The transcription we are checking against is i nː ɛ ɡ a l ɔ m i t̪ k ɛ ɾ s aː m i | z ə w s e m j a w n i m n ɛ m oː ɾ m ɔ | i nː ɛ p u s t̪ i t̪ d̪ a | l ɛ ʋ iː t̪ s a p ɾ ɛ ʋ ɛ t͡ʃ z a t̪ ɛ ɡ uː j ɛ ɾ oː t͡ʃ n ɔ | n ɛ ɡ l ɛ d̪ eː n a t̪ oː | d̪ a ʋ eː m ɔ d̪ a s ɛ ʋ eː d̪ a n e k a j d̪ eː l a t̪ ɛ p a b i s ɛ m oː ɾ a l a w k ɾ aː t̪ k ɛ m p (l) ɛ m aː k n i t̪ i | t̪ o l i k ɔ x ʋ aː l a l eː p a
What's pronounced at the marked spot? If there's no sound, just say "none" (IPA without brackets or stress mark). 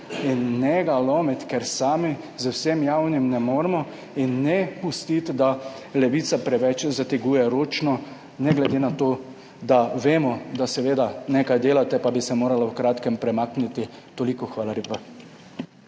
ɾ